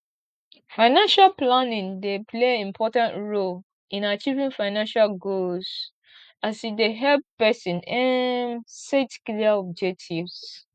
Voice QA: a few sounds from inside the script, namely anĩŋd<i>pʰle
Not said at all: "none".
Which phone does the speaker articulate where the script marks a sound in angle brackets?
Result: e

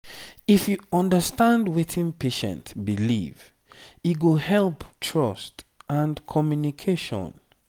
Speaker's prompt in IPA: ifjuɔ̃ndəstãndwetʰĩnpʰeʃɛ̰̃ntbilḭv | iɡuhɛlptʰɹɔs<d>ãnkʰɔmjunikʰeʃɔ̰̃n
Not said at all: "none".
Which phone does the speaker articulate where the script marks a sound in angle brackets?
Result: t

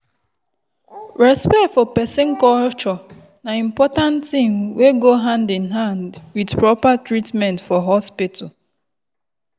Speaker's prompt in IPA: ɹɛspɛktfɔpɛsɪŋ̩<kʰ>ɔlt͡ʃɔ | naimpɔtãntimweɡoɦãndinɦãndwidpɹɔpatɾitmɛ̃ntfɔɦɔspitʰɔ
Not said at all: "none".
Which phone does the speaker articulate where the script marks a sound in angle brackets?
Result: k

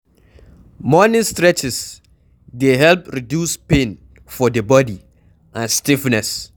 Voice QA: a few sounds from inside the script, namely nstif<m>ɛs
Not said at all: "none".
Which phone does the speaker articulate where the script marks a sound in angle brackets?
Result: n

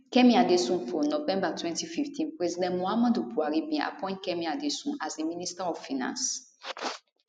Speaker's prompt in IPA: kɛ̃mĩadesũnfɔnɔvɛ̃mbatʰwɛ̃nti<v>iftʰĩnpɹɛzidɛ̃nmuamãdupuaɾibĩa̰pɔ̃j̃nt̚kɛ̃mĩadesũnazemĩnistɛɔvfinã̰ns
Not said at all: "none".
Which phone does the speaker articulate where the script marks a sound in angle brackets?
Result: f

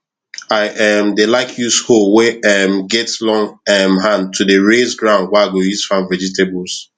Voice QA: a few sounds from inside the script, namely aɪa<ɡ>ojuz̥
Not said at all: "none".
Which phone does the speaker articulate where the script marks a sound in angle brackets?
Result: ɡ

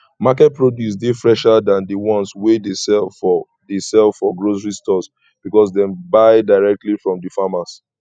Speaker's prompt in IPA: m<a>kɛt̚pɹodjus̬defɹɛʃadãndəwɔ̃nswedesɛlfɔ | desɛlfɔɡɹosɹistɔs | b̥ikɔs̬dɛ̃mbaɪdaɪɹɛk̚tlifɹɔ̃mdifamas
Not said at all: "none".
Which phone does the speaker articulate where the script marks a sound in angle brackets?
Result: a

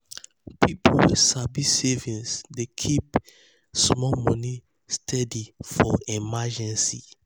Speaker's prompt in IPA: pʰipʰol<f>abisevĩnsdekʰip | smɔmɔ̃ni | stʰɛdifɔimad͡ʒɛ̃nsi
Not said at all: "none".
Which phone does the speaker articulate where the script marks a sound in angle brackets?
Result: s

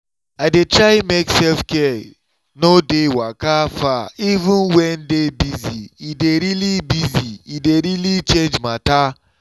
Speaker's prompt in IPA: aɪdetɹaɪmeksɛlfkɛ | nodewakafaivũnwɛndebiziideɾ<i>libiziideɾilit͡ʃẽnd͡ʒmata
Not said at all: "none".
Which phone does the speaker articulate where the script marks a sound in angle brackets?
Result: i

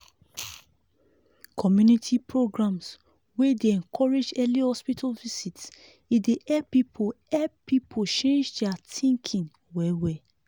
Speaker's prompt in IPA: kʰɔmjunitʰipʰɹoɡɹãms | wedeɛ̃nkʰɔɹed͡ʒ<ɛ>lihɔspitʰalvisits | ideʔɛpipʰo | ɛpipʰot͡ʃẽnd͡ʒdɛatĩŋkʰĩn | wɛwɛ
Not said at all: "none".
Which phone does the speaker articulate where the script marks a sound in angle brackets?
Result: ɛ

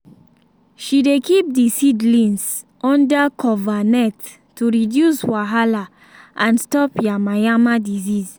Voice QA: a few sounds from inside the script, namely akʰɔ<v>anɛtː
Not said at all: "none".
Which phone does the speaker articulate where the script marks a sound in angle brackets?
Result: v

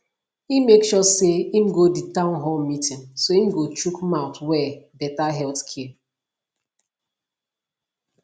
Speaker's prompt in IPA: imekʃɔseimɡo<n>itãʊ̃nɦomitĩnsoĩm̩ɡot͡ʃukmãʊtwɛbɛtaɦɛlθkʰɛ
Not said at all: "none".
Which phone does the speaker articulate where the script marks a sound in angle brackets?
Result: d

